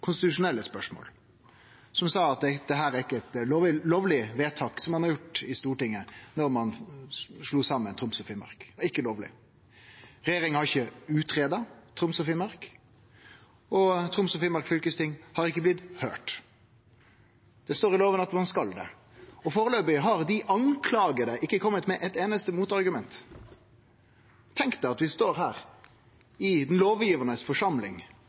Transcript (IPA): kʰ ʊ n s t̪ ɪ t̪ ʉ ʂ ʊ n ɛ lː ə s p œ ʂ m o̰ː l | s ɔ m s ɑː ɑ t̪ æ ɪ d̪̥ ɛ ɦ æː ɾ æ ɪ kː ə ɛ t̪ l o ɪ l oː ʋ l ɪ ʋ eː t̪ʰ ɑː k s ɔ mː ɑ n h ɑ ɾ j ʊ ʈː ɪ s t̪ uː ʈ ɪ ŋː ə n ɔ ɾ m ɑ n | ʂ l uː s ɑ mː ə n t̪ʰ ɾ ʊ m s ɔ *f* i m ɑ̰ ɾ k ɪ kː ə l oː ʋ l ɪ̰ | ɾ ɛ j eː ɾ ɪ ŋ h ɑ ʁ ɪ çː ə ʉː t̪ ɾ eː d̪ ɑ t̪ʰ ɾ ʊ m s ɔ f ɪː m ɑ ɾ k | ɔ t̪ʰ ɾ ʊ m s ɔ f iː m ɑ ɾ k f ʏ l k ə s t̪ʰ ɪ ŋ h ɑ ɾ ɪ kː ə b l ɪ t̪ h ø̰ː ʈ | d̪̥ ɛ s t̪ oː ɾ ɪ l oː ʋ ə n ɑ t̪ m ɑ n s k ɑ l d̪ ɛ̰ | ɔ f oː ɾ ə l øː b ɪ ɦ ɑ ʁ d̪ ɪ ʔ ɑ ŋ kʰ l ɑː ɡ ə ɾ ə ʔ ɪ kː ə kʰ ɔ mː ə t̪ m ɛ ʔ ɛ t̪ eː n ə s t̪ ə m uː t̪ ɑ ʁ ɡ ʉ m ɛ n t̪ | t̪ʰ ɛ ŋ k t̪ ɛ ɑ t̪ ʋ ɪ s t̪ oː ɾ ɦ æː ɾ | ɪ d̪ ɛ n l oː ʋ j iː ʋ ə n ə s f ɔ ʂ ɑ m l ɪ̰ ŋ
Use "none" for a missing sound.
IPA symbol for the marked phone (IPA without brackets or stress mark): f